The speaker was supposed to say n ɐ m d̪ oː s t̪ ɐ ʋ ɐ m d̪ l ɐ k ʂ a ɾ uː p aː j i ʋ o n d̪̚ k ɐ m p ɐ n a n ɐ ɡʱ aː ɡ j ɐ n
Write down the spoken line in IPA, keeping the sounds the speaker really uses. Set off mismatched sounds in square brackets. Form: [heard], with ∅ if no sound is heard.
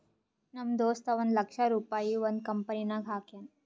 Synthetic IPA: n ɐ m d̪ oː s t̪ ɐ ʋ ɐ [n] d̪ l ɐ k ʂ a ɾ uː p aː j i ʋ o n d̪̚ k ɐ m p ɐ n [i] n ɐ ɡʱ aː [k] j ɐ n